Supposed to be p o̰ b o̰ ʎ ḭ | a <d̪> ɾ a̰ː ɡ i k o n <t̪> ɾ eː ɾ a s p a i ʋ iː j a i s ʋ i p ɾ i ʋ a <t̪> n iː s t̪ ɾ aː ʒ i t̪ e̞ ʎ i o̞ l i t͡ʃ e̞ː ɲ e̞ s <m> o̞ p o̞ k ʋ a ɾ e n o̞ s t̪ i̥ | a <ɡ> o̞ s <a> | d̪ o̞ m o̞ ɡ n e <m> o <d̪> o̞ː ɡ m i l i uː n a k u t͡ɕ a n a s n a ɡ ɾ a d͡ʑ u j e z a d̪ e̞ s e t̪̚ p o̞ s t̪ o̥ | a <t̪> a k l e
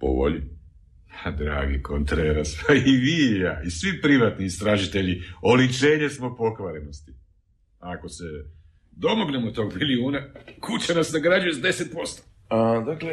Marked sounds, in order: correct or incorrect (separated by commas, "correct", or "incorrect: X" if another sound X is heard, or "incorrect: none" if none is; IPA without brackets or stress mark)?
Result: correct, correct, correct, correct, incorrect: k, incorrect: e, correct, incorrect: t̪, incorrect: d̪